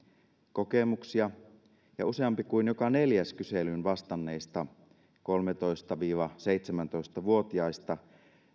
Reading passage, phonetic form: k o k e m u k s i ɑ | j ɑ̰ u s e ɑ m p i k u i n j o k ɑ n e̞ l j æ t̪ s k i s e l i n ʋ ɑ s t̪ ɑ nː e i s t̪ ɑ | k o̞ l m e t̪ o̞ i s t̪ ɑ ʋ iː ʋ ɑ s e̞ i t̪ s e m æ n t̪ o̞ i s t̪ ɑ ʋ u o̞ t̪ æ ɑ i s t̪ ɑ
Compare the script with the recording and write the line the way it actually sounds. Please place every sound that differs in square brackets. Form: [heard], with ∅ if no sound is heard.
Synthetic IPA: k o k e m u k s i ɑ | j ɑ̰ u s e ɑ m p i k u i n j o k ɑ n e̞ l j æ [∅] s k [y] s e l [y] n ʋ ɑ s t̪ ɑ nː e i s t̪ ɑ | k o̞ l m e t̪ o̞ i s t̪ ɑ ʋ iː ʋ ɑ s e̞ i t̪ s e m æ n t̪ o̞ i s t̪ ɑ ʋ u o̞ t̪ [i] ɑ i s t̪ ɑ